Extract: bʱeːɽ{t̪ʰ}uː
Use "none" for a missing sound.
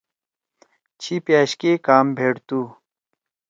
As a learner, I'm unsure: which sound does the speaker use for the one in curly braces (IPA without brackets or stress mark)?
t̪